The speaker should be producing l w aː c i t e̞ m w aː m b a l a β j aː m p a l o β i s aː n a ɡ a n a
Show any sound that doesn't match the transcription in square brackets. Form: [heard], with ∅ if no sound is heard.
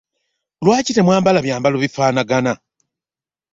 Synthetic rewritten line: l w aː c i t e̞ m w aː m b a l a β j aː m [b] a l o β i [f] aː n a ɡ a n a